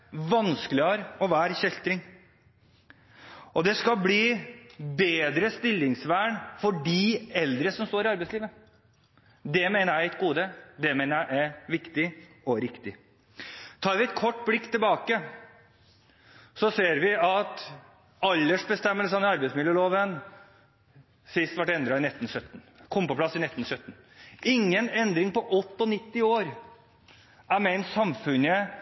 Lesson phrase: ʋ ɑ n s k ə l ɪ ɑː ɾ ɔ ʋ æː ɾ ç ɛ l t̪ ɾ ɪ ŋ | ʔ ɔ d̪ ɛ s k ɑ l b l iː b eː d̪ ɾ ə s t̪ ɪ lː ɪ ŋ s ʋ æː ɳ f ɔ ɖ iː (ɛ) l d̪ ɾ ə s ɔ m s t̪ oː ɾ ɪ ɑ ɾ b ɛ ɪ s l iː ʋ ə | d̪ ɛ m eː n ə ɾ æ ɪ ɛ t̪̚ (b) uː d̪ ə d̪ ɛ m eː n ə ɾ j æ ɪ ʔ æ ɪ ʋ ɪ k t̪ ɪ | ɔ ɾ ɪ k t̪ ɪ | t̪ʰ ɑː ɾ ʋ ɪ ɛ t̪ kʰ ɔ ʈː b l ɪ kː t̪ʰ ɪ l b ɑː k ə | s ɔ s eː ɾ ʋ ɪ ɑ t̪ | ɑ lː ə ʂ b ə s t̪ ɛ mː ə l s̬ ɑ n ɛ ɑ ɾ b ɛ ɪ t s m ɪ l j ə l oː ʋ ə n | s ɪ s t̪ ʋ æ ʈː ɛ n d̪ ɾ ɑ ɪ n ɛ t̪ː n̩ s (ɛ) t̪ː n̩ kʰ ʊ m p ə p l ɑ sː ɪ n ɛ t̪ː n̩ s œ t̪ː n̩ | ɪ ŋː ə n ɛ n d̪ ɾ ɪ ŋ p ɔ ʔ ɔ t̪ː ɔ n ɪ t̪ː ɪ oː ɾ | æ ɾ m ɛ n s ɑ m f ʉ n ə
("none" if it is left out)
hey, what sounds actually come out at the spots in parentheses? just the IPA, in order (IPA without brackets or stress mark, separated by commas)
ɛ, ɡ, œ